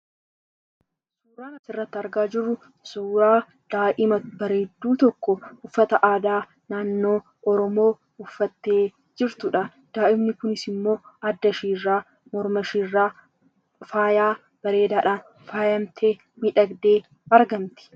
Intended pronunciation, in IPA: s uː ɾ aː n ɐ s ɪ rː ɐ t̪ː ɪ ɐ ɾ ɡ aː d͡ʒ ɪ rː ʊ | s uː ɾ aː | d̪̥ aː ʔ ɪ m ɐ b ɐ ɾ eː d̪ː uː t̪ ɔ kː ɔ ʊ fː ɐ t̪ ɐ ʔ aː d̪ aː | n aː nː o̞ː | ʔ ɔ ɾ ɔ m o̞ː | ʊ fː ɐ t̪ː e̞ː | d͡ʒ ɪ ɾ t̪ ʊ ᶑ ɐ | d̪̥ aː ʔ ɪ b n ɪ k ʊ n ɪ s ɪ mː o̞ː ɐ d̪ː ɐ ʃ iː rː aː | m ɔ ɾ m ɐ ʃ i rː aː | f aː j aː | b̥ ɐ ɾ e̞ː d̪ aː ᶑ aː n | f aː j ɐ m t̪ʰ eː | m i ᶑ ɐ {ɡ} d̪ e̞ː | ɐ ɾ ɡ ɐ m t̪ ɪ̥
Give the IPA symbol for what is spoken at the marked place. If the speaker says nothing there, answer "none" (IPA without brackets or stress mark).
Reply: ɡ